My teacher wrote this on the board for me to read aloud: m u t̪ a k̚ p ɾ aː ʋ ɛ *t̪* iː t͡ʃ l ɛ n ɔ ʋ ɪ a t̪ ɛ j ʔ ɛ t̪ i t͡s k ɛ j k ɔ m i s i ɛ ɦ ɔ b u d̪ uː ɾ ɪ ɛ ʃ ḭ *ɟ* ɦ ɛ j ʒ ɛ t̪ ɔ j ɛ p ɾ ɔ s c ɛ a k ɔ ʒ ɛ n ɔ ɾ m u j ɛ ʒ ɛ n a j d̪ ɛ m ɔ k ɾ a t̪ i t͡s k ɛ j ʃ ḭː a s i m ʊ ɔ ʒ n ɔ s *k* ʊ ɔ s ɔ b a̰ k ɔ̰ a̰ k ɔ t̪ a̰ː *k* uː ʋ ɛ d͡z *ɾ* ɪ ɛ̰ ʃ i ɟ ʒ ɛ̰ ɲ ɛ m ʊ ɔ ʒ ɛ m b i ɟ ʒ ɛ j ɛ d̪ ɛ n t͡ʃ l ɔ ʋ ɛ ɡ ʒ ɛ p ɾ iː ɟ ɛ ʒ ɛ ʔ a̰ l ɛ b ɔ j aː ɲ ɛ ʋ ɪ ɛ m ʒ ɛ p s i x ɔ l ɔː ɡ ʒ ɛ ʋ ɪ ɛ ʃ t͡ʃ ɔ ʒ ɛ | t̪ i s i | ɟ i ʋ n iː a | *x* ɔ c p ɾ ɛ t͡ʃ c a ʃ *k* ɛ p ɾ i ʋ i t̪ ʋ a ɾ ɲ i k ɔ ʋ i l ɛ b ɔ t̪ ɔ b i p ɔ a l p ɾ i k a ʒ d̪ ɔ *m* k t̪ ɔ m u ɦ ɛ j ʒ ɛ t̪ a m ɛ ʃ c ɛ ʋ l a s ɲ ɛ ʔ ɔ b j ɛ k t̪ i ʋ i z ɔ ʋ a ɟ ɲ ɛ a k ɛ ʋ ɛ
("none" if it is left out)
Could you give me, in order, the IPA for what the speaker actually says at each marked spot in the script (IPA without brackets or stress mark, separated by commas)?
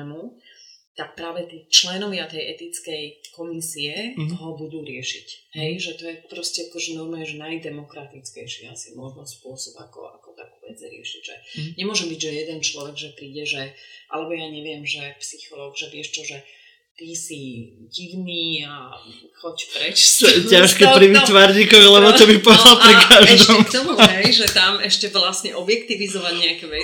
t̪, c, p, k, ɾ, x, k, m